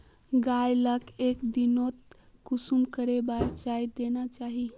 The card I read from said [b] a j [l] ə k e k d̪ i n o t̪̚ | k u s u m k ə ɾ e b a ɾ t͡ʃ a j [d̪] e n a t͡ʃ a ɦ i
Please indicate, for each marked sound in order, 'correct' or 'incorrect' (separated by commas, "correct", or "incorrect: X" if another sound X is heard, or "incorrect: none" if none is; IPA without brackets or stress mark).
incorrect: ɡ, correct, correct